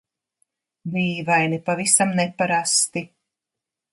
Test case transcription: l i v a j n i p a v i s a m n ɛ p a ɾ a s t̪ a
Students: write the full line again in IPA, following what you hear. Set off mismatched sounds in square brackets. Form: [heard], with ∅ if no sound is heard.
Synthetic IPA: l [iː] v a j n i p a v i s a m n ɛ p a ɾ a s t̪ [i]